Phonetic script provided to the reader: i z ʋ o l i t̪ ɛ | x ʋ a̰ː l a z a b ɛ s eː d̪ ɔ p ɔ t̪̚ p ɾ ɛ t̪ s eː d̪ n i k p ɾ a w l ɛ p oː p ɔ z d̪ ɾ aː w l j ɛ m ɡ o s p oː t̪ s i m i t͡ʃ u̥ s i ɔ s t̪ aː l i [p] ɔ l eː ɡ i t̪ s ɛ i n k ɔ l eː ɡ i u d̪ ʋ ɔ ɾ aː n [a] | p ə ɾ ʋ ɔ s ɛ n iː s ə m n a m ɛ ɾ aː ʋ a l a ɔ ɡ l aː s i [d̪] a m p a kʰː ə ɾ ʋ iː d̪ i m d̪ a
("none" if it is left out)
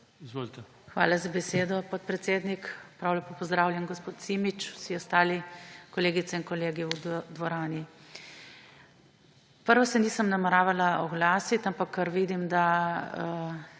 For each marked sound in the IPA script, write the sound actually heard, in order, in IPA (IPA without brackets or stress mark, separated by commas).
k, i, t̪